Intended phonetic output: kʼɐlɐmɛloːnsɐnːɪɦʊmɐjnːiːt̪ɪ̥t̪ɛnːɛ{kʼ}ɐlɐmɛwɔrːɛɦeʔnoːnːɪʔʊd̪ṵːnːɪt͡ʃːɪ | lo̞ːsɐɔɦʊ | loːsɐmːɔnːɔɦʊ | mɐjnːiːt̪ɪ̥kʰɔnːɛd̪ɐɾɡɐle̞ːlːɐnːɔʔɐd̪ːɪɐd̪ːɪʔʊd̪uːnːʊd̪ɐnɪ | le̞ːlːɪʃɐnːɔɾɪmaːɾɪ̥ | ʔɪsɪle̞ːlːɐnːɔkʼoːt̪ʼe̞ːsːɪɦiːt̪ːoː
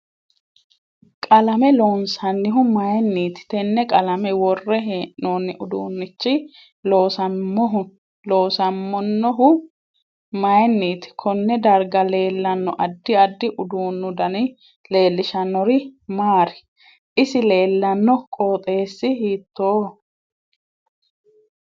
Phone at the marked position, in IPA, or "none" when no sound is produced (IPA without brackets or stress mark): kʼ